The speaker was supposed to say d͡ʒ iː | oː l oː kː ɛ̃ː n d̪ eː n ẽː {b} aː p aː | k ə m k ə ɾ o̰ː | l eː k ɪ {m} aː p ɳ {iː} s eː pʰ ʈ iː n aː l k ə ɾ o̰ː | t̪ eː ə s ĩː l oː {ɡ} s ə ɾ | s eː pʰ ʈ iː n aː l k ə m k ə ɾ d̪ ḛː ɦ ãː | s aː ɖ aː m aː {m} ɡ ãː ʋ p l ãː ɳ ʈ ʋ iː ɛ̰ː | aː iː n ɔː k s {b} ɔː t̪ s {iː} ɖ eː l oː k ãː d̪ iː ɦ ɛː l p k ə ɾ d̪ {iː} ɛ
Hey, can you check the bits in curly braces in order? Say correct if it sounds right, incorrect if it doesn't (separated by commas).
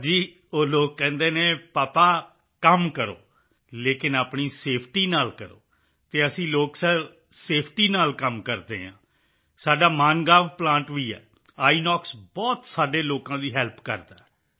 incorrect, incorrect, correct, incorrect, incorrect, correct, incorrect, incorrect